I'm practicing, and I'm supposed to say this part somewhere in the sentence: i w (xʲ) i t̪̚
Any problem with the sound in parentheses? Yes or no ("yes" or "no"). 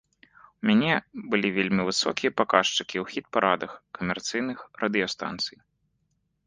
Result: no